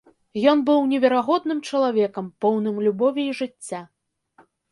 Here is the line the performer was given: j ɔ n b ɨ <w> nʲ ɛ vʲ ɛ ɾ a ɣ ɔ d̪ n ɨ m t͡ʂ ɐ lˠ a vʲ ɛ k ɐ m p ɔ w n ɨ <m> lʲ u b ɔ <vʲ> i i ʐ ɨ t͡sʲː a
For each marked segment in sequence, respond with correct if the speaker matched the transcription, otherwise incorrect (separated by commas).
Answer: correct, correct, correct